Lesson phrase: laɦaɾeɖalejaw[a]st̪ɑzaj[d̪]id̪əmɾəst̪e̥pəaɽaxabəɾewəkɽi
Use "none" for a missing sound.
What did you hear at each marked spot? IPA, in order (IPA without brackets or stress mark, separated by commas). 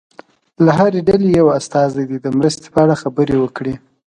a, d̪